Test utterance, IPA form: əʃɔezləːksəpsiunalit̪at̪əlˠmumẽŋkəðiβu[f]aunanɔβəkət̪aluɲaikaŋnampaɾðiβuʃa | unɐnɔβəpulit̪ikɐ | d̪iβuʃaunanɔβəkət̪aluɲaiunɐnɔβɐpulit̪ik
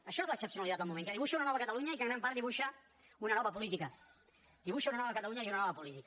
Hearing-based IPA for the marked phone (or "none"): ʃ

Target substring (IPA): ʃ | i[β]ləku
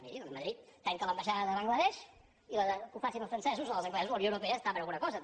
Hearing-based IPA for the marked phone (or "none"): none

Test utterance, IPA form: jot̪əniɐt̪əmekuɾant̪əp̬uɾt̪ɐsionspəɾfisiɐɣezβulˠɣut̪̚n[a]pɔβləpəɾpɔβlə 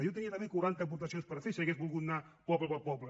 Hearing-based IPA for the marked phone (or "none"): a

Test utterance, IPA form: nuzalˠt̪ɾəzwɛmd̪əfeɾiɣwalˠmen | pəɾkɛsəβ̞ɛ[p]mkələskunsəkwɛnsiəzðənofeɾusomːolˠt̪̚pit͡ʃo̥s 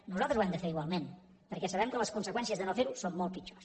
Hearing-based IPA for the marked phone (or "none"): none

